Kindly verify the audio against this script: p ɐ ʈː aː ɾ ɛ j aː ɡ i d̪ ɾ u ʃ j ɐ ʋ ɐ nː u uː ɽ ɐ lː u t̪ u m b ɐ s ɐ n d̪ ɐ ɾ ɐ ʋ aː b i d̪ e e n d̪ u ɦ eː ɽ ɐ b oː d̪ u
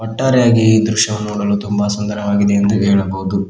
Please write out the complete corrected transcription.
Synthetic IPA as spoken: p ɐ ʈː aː ɾ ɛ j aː ɡ i d̪ ɾ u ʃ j ɐ ʋ ɐ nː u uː ɽ ɐ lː u t̪ u m b ɐ s ɐ n d̪ ɐ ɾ ɐ ʋ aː ɡ i d̪ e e n d̪ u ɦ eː ɭ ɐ b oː d̪ u